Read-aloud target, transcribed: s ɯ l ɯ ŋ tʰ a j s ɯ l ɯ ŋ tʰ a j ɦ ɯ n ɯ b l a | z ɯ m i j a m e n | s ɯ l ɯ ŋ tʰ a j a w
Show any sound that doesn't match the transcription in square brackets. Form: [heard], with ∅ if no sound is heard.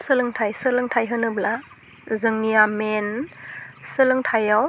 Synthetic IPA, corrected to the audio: s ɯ l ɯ ŋ tʰ a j s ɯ l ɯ ŋ tʰ a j ɦ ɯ n ɯ b l a | z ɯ [ŋ] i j a m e n | s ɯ l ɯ ŋ tʰ a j a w